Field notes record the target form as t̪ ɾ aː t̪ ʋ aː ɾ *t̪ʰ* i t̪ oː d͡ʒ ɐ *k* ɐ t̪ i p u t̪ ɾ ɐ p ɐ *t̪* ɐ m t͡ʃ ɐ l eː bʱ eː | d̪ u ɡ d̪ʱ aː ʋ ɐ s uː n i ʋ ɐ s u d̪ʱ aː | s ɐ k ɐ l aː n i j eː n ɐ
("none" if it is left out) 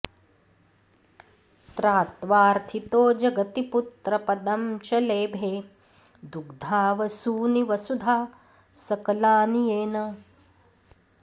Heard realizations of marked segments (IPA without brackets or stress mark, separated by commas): t̪ʰ, ɡ, d̪